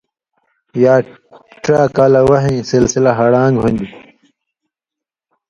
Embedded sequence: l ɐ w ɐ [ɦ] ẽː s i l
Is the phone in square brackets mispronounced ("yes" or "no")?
no